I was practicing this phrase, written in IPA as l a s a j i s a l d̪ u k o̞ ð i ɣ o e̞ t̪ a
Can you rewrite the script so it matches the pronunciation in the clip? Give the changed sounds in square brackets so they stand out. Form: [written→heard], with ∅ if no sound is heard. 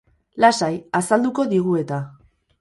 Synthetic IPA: l a s a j [i→a] s a l d̪ u k o̞ ð i ɣ [o→u] e̞ t̪ a